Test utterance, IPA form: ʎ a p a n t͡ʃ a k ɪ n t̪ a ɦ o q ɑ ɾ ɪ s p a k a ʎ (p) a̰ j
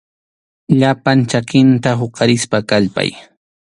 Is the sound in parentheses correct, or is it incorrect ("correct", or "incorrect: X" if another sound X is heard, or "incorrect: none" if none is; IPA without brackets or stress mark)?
correct